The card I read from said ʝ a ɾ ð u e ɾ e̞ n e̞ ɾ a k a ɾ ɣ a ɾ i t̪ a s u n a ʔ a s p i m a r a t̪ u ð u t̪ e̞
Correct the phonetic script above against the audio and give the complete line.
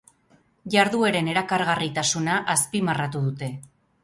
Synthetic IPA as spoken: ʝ a ɾ ð u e ɾ e̞ n e̞ ɾ a k a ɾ ɣ a r i t̪ a s u n a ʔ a s p i m a r a t̪ u ð u t̪ e̞